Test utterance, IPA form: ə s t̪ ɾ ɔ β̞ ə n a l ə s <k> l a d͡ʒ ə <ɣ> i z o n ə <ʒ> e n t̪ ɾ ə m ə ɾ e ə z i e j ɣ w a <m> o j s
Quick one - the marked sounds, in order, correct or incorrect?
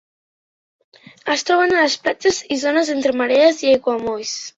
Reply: incorrect, incorrect, incorrect, correct

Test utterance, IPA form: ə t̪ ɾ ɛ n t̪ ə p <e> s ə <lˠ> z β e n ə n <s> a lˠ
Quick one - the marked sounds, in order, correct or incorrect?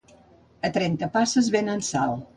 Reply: incorrect, incorrect, correct

